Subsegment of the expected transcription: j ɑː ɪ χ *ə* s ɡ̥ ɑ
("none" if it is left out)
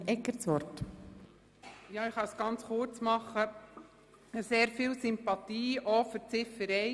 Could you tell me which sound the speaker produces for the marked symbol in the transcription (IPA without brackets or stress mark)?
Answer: ɑ